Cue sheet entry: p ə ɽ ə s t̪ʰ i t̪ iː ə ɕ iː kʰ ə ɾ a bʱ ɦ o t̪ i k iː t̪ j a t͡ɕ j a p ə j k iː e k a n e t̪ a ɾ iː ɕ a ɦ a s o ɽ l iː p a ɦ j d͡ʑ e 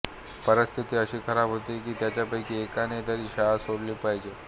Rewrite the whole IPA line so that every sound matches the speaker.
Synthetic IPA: p ə ɾ ə s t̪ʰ i t̪ iː ə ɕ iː kʰ ə ɾ a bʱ ɦ o t̪ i k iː t̪ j a t͡ɕ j a p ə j k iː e k a n e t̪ a ɾ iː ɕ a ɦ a s o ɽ l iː p a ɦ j d͡ʑ e

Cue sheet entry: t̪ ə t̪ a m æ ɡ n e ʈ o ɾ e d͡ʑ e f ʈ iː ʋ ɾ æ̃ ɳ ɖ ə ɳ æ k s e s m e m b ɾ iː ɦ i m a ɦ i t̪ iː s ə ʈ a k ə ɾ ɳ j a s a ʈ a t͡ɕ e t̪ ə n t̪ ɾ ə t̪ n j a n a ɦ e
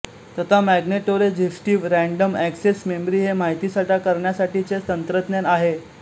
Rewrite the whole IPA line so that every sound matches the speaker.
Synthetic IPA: t̪ ə t̪ a m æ ɡ n e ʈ o ɾ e d͡ʑ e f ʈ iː ʋ ɾ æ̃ ɳ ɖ ə m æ k s e s m e m b ɾ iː ɦ e m a ɦ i t̪ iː s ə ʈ a k ə ɾ ɳ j a s a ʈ i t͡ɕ e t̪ ə n t̪ ɾ ə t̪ n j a n a ɦ e

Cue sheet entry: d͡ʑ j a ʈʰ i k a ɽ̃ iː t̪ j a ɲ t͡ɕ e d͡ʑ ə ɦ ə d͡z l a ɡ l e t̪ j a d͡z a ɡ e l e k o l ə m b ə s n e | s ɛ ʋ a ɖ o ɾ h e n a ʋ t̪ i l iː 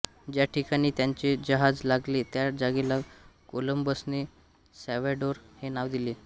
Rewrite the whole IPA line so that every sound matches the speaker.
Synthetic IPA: d͡ʑ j a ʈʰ i k a ɽ̃ iː t̪ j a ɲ t͡ɕ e d͡ʑ ə ɦ a d͡z l a ɡ l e t̪ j a d͡z a ɡ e l a k o l ə m b ə s n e | s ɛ ʋ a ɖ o ɾ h e n a ʋ d̪ i l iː

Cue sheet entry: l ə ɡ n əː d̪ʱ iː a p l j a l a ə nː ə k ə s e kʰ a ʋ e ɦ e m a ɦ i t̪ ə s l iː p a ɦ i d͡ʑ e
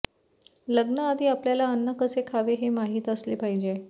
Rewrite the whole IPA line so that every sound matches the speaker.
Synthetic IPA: l ə ɡ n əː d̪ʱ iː a p l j a l a ə nː ə k ə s e kʰ a ʋ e ɦ e m a ɦ iː t̪ ə s l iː p a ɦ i d͡ʑ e

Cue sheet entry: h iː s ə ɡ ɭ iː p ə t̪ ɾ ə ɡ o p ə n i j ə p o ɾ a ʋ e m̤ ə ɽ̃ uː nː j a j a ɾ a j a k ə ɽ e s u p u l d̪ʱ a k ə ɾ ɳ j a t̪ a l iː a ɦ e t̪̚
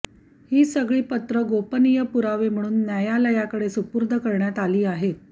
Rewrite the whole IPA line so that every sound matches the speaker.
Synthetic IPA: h iː s ə ɡ ɭ iː p ə t̪ ɾ ə ɡ o p ə n i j ə p u ɾ a ʋ e m̤ ə ɽ̃ uː nː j a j a l a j a k ə ɽ e s u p u ɾ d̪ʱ ə k ə ɾ ɳ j a t̪ a l iː a ɦ e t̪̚

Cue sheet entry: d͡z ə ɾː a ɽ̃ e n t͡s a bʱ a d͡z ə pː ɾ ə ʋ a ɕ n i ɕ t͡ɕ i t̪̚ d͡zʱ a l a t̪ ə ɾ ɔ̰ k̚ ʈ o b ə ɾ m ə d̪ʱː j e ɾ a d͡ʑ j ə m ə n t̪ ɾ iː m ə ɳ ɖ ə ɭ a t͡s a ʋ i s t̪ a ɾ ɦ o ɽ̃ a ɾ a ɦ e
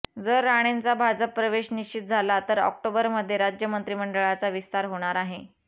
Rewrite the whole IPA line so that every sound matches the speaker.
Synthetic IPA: d͡z ə ɾː a ɽ̃ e n t͡s a bʱ a d͡z ə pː ɾ ə ʋ e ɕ n i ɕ t͡ɕ i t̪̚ d͡zʱ a l a t̪ ə ɾ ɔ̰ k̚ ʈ o b ə ɾ m ə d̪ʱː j e ɾ a d͡ʑ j ə m ə n t̪ ɾ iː m ə ɳ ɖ ə ɭ a t͡s a ʋ i s t̪ a ɾ ɦ o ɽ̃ a ɾ a ɦ e

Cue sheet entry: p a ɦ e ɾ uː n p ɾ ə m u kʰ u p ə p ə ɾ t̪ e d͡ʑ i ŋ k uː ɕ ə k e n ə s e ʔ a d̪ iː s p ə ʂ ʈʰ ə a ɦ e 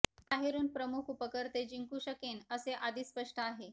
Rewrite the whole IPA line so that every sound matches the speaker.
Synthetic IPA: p a ɦ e ɾ uː n p ɾ ə m u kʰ u p ə k ə ɾ t̪ e d͡ʑ i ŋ k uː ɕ ə k e n ə s e ʔ a d̪ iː s p ə ʂ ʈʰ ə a ɦ e

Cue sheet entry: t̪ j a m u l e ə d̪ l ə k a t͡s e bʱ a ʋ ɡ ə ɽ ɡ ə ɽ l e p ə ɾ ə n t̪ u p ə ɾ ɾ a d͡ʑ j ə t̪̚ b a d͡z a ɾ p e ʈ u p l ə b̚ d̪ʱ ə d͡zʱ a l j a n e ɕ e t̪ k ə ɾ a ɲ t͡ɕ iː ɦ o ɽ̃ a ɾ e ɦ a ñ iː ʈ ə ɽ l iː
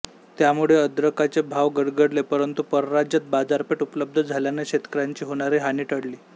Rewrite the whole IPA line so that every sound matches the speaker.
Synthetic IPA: t̪ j a m u ɭ e ə d̪ ɾ ə k a t͡s e bʱ a ʋ ɡ ə ɽ ɡ ə ɽ l e p ə ɾ ə n t̪ u p ə ɾ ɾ a d͡ʑ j ə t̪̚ b a d͡z a ɾ p e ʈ u p l ə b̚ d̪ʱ ə d͡zʱ a l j a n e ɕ e t̪ k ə ɾ a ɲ t͡ɕ iː ɦ o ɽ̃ a ɾ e ɦ a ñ iː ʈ ə ɽ l iː

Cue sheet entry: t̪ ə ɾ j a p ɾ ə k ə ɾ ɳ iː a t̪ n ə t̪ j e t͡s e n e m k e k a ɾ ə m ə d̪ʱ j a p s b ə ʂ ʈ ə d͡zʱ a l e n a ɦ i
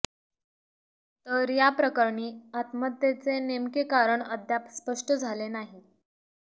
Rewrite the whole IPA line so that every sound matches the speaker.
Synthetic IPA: t̪ ə ɾ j a p ɾ ə k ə ɾ ɳ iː a t̪ m ə t̪ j e t͡s e n e m k e k a ɾ ə ɳ ə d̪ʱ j a p s p ə ʂ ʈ ə d͡zʱ a l e n a ɦ i

